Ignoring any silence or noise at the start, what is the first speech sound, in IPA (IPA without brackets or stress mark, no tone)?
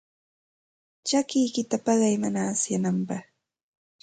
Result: t͡ʃ